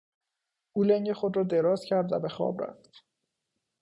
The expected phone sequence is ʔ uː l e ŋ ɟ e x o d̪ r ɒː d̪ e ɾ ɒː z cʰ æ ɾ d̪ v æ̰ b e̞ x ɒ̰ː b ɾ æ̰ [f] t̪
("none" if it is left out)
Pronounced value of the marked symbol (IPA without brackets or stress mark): f